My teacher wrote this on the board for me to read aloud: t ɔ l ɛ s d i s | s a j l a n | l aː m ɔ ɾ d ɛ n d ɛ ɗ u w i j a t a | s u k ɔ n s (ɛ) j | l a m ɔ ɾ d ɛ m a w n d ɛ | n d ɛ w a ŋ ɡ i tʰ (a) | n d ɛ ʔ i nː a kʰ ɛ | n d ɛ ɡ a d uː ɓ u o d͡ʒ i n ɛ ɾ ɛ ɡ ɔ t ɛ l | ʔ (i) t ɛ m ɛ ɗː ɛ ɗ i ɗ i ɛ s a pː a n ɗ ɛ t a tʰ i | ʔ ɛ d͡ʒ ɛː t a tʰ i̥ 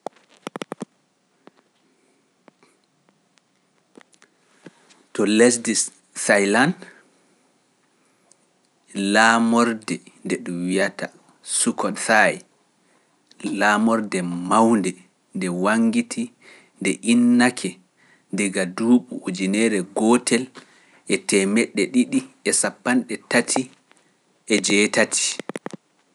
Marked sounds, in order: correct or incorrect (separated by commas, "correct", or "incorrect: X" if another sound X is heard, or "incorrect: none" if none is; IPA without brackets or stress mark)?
incorrect: a, incorrect: i, incorrect: ɛ